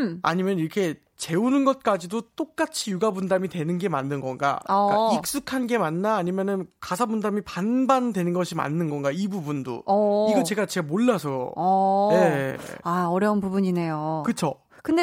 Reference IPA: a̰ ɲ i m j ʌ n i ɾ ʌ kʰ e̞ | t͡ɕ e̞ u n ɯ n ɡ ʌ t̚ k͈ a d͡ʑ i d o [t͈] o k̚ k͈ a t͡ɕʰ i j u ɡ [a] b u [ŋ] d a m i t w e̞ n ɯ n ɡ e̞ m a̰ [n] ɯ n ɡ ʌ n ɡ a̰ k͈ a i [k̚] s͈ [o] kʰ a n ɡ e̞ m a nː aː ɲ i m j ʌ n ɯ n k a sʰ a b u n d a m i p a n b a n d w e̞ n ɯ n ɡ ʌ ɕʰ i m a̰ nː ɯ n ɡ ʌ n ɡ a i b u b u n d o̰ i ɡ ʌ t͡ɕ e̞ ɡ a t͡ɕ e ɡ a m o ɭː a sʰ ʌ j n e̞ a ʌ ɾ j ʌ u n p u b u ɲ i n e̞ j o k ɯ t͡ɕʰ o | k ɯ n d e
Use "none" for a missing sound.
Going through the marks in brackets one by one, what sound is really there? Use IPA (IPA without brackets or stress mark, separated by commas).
t͈, a, n, nː, k̚, u